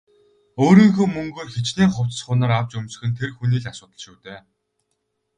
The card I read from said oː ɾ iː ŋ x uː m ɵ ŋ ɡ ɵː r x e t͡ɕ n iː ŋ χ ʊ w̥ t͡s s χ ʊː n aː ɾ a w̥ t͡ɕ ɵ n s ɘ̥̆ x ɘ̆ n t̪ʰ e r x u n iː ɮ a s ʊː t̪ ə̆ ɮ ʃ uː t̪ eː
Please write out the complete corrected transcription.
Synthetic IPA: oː ɾ iː ŋ x uː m ɵ ŋ ɡ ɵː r x e t͡ɕ n iː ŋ χ ʊ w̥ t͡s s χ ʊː n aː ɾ a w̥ t͡ɕ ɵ m s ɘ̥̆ x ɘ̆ n t̪ʰ e r x u n iː ɮ a s ʊː t̪ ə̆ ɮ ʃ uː t̪ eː